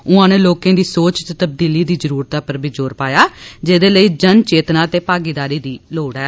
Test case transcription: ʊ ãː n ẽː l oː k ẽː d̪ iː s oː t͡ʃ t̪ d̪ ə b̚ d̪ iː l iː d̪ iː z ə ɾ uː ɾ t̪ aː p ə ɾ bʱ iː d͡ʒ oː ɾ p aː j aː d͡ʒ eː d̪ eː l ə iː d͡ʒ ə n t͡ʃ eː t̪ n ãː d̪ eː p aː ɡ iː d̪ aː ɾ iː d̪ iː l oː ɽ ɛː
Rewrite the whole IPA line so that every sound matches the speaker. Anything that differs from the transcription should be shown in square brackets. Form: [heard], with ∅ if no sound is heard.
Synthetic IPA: ʊ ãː n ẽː l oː k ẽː d̪ iː s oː t͡ʃ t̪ [t̪] ə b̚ d̪ iː l iː d̪ iː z ə ɾ uː ɾ t̪ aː p ə ɾ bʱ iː d͡ʒ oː ɾ p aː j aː d͡ʒ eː d̪ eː l ə iː d͡ʒ ə n t͡ʃ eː t̪ n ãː [t̪] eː p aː ɡ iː d̪ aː ɾ iː d̪ iː l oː ɽ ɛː

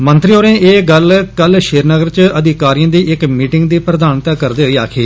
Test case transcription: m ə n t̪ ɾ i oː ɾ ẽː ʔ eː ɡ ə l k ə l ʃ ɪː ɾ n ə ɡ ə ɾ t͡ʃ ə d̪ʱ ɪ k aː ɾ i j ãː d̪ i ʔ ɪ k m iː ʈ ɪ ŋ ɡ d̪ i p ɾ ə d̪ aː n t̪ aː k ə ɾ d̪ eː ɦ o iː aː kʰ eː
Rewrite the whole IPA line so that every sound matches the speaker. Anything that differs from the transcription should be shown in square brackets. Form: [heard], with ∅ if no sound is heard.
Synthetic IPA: m ə n t̪ ɾ i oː ɾ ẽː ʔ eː ɡ ə l k ə l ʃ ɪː ɾ n ə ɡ ə ɾ t͡ʃ ə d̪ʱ ɪ k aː ɾ i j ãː d̪ [iː] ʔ ɪ k m iː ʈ ɪ ŋ ɡ d̪ [iː] p ɾ ə d̪ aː n t̪ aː k ə ɾ d̪ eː ɦ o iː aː kʰ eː

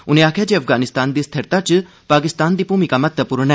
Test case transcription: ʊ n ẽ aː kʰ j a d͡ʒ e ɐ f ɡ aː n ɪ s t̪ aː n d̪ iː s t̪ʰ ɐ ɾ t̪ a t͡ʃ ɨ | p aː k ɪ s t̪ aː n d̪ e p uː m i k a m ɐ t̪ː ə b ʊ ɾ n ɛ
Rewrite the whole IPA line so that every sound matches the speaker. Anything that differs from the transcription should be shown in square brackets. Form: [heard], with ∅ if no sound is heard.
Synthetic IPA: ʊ n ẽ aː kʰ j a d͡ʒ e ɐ f ɡ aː n ɪ s t̪ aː n d̪ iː s t̪ʰ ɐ ɾ t̪ a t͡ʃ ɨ | p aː k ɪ s t̪ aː n d̪ [i] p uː m i k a m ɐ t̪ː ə [p] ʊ ɾ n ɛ

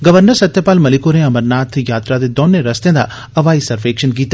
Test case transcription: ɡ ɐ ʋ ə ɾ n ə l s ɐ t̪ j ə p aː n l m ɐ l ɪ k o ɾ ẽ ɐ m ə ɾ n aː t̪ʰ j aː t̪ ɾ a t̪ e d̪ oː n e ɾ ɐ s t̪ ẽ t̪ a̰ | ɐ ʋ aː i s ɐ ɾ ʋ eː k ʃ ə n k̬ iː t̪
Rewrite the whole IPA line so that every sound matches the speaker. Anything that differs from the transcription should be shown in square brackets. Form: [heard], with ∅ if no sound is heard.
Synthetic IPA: ɡ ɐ ʋ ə ɾ n ə [ɾ] s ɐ t̪ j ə p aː [∅] l m ɐ l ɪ k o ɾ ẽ ɐ m ə ɾ n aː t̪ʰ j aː t̪ ɾ a [d̪] e d̪ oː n e ɾ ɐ s t̪ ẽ [d̪] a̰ | ɐ ʋ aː i s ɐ ɾ ʋ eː k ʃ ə n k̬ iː t̪

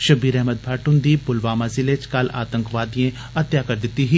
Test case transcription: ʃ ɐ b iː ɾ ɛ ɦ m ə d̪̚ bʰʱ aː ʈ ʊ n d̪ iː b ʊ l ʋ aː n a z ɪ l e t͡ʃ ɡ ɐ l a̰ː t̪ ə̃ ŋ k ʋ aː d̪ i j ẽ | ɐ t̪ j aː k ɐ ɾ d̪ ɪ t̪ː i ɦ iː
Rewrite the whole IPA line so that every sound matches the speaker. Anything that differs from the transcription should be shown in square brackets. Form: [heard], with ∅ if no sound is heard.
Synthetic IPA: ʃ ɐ b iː ɾ ɛ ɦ m ə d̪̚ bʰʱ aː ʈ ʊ n d̪ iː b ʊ l ʋ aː [m] a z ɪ l e t͡ʃ [k] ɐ l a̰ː t̪ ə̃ ŋ k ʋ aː d̪ i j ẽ | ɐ t̪ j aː k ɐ ɾ d̪ ɪ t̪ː i ɦ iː

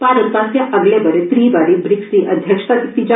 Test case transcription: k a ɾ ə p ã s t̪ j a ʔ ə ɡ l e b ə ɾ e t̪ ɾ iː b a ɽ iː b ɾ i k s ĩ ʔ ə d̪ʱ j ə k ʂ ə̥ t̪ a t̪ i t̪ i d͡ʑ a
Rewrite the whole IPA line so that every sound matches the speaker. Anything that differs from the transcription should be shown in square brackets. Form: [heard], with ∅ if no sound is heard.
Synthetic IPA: [p] a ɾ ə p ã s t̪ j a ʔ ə ɡ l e b ə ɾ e t̪ ɾ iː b a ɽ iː b ɾ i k s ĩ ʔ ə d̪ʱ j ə k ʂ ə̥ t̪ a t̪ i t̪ i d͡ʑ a

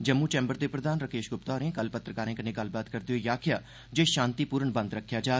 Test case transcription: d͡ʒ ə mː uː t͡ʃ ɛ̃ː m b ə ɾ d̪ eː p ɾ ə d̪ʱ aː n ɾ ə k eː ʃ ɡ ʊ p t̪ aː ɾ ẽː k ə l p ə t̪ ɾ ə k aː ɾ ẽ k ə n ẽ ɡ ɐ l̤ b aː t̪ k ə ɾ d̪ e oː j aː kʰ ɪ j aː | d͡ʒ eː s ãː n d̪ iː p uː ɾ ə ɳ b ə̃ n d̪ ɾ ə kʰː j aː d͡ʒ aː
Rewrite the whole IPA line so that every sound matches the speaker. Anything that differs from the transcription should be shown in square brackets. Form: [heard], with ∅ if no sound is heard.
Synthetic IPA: d͡ʒ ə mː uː t͡ʃ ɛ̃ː m b ə ɾ d̪ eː p ɾ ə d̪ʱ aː n ɾ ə k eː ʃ ɡ ʊ p t̪ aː ɾ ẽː k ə l p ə t̪ ɾ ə k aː ɾ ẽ k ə n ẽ ɡ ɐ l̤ b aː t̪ k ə ɾ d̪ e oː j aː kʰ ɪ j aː | d͡ʒ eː [ʃ] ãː n [t̪] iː p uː ɾ ə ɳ b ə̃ n d̪ ɾ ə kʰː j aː d͡ʒ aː

